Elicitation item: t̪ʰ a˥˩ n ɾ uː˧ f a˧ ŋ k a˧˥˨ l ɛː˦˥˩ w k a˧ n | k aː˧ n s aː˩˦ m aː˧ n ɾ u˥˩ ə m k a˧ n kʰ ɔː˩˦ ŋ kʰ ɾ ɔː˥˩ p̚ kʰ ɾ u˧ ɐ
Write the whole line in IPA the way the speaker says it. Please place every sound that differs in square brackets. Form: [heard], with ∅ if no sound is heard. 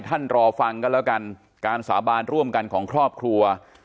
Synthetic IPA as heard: t̪ʰ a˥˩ n ɾ [ɔː˧] f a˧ ŋ k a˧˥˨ l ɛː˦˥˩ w k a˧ n | k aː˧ n s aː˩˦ [b] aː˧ n ɾ u˥˩ ə m k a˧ n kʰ ɔː˩˦ ŋ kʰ ɾ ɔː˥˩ p̚ kʰ ɾ u˧ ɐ